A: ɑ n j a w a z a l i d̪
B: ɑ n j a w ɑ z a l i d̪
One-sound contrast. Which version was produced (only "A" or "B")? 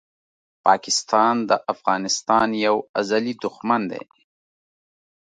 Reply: A